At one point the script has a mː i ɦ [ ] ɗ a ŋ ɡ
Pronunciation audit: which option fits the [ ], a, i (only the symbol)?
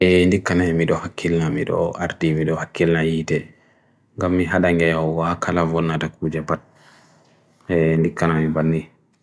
a